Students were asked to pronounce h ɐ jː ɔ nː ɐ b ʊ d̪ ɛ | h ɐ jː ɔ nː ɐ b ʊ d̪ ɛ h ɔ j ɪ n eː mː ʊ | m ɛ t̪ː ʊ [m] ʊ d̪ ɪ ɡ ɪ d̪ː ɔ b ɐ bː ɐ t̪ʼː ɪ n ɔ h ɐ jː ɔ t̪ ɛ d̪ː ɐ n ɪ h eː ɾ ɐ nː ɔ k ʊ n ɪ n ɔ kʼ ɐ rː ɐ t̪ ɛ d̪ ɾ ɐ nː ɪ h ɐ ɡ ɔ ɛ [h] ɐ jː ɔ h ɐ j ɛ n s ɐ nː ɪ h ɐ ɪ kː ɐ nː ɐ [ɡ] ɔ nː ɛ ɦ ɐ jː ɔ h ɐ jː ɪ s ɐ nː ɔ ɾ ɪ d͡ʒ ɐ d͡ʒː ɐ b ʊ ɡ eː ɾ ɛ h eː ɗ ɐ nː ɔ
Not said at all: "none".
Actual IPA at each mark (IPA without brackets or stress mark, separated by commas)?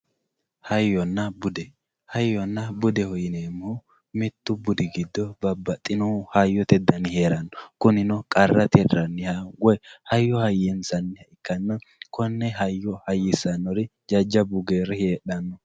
b, h, k